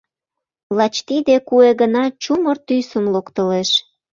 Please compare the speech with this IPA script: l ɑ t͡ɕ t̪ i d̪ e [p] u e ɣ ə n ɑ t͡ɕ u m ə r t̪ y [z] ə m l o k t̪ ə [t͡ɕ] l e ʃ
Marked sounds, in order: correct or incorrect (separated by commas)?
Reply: incorrect, incorrect, incorrect